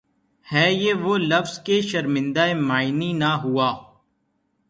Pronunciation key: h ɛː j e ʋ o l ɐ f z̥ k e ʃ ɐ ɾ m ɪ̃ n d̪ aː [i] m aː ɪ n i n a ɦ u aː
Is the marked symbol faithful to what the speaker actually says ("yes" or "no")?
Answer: no